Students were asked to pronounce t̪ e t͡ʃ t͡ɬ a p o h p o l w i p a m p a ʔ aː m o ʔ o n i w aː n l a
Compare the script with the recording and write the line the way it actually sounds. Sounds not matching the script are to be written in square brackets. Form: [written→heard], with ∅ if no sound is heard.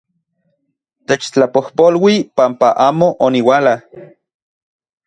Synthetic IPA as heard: t̪ e t͡ʃ t͡ɬ a p o h p o l w i p a m p a ʔ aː m o ʔ o n i w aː [n→∅] l a